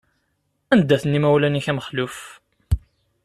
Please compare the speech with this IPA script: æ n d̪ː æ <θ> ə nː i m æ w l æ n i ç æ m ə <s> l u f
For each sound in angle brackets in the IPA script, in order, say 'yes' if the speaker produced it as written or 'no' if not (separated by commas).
yes, no